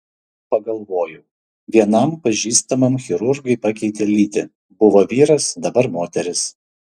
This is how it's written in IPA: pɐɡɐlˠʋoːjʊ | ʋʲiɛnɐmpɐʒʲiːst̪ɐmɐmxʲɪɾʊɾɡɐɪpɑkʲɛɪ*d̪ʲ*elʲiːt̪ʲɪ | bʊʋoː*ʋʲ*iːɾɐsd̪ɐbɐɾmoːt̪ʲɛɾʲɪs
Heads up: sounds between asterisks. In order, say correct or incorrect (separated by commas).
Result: incorrect, correct